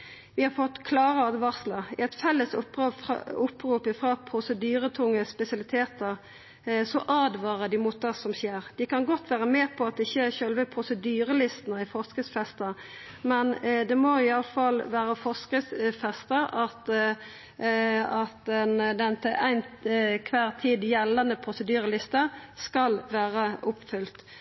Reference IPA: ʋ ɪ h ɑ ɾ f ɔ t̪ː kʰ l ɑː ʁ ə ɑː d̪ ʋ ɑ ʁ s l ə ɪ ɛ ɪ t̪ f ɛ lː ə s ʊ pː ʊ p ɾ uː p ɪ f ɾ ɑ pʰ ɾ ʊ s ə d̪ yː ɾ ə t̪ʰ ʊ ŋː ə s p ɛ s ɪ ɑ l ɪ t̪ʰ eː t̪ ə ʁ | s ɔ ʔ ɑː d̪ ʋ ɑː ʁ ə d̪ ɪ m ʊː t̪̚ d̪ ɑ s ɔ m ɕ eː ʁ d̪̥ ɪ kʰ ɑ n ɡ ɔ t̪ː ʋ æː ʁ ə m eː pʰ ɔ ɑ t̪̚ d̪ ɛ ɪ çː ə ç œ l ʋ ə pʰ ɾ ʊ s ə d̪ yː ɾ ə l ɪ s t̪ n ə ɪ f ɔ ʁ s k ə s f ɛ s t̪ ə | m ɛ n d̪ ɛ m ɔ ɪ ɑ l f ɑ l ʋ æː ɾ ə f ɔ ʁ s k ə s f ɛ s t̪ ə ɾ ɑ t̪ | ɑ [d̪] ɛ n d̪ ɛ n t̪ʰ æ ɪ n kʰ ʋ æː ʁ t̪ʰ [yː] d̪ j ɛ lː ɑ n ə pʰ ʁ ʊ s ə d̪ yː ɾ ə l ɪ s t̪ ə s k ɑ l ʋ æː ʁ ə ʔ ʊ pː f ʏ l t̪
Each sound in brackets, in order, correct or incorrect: incorrect: t̪, incorrect: iː

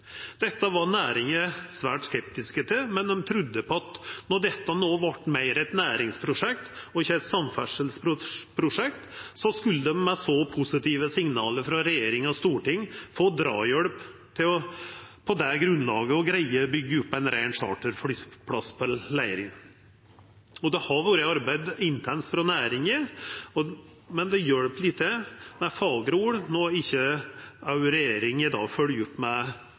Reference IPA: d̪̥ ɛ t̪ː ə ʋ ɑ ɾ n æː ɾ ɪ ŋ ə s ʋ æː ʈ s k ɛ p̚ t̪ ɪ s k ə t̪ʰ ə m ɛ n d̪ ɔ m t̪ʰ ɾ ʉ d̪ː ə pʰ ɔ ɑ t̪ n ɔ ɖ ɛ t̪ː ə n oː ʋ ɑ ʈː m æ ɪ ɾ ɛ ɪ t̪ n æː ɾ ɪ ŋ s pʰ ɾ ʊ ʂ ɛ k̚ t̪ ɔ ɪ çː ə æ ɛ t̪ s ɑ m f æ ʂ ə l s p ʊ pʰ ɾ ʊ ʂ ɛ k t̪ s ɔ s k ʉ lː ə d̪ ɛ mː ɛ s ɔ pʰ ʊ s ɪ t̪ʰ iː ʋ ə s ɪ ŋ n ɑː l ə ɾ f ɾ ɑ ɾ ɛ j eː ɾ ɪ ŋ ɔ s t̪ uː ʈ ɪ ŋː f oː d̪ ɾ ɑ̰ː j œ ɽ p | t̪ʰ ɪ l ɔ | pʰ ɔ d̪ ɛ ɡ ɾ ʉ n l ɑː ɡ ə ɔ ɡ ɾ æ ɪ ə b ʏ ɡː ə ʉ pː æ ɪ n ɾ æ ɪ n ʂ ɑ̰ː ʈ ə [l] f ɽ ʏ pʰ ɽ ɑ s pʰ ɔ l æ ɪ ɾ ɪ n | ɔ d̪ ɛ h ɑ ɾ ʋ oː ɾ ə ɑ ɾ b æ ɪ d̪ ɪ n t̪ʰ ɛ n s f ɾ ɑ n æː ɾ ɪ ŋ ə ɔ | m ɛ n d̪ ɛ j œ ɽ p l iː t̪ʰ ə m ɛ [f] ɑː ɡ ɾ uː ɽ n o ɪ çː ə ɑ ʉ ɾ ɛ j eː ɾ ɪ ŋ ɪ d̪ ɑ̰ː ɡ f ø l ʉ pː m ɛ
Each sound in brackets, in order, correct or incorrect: incorrect: ɾ, correct

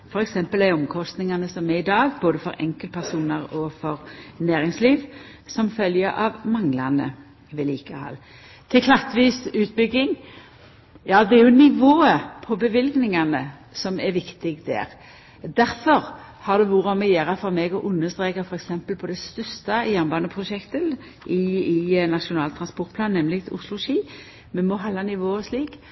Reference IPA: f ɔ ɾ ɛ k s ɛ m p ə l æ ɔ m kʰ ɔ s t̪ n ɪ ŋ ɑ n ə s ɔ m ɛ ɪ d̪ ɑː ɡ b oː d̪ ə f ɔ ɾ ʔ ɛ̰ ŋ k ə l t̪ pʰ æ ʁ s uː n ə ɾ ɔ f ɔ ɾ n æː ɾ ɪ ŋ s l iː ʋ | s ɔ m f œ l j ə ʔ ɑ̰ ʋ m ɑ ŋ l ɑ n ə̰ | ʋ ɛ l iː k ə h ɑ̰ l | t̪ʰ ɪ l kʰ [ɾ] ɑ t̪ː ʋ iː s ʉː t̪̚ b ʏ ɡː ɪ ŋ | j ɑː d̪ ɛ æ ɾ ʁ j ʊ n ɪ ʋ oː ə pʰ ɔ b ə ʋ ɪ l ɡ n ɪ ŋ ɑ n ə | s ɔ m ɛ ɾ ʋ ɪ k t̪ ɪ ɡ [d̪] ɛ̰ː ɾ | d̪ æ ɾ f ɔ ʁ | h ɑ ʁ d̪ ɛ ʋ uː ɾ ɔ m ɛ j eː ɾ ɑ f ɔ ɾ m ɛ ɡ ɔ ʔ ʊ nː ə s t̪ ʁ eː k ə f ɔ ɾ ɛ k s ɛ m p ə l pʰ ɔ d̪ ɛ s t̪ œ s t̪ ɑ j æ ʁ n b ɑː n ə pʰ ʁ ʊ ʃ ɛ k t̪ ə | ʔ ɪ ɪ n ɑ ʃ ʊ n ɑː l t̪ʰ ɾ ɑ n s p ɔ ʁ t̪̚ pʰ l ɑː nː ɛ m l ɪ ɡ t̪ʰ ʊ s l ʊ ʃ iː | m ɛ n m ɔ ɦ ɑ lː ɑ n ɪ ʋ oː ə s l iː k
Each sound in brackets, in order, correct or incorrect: incorrect: l, correct

